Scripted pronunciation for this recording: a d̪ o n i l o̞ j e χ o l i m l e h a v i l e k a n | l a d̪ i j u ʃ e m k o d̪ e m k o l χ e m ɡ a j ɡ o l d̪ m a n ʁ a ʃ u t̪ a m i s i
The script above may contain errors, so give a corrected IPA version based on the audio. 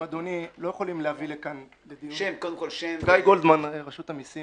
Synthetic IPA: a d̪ o n i l o̞ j e χ o l i m l e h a v i l e k a n | l e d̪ i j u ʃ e m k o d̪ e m k o l ʃ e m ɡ a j ɡ o l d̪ m a n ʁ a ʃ u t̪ a m i s i